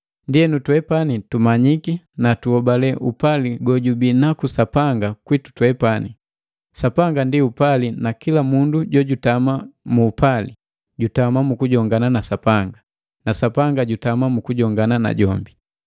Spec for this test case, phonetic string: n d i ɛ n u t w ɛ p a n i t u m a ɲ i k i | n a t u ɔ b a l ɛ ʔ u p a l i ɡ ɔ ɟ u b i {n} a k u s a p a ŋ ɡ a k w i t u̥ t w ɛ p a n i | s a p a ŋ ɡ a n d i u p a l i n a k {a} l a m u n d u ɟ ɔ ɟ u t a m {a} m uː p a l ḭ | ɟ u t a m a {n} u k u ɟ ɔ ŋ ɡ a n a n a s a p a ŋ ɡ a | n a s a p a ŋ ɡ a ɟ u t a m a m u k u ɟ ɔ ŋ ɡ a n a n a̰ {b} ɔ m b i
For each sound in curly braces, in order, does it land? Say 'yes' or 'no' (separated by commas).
yes, no, yes, no, no